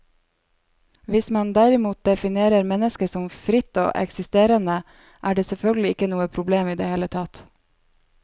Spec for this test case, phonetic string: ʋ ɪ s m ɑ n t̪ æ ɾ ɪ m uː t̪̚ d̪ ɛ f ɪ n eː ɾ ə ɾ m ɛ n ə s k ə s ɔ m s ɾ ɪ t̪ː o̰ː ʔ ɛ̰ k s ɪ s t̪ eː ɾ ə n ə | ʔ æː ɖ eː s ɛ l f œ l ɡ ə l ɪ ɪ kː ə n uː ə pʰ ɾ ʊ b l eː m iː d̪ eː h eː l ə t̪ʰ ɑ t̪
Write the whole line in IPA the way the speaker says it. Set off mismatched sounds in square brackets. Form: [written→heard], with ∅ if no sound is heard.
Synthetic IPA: ʋ ɪ s m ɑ n [t̪→d̪] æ ɾ ɪ m uː t̪̚ d̪ ɛ f ɪ n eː ɾ ə ɾ m ɛ n ə s k ə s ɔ m [s→f] ɾ ɪ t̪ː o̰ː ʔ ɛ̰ k s ɪ s t̪ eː ɾ ə n ə | ʔ æː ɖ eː s ɛ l f œ l ɡ ə l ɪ ɪ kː ə n uː ə pʰ ɾ ʊ b l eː m iː d̪ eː h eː l ə t̪ʰ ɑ t̪